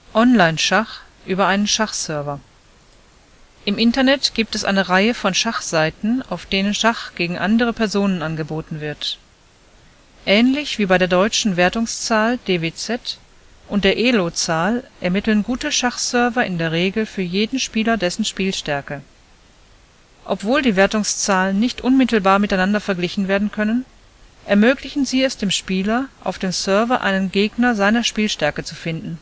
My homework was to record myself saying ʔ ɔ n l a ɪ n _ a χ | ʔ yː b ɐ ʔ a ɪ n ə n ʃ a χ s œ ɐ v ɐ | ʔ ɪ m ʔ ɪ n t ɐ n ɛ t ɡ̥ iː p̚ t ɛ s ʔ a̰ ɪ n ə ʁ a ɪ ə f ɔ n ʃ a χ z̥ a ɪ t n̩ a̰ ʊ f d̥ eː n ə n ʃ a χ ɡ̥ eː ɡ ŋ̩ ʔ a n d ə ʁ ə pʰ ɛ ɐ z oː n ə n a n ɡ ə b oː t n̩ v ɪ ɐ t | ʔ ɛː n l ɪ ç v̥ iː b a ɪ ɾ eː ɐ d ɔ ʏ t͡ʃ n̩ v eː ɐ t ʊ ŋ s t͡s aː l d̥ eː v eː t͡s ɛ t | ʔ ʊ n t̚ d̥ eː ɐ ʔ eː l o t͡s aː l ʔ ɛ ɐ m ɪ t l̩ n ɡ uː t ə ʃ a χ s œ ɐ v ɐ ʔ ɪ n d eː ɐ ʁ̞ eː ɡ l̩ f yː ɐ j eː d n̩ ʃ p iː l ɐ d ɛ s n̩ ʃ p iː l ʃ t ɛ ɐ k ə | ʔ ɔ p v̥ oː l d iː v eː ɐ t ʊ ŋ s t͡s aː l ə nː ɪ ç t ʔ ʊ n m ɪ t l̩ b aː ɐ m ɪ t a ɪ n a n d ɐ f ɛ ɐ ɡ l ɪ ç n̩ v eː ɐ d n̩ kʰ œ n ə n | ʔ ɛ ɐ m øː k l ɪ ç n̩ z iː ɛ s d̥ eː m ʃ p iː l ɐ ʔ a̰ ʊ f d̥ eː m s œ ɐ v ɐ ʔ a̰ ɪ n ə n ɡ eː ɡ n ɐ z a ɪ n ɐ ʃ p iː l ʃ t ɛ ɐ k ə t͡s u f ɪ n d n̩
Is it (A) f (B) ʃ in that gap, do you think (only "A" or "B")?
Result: B